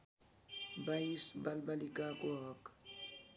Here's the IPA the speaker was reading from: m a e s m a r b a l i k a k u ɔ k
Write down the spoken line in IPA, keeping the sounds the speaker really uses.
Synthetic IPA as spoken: b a i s b a l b a l i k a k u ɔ k